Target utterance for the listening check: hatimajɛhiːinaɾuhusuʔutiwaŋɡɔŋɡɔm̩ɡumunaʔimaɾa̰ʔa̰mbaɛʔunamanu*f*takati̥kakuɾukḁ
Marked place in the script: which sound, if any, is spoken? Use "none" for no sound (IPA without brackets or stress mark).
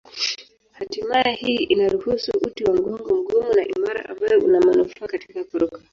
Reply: f